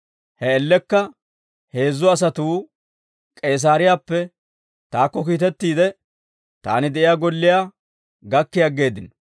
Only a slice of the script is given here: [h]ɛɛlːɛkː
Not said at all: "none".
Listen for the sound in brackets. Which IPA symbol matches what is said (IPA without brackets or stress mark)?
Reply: h